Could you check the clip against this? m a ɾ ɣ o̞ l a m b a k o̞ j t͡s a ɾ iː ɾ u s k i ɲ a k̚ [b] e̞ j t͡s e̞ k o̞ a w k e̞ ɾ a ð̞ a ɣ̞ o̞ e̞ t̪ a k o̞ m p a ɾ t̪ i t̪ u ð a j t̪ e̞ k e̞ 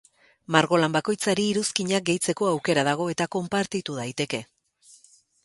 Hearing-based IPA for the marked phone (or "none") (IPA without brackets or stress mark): ɡ